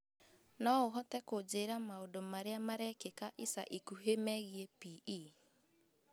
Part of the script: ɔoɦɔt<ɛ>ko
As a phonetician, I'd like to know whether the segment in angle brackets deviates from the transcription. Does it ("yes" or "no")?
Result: no